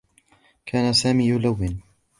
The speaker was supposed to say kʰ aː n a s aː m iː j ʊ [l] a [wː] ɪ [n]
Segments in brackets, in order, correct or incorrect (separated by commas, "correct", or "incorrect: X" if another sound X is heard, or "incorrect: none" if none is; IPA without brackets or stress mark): correct, correct, correct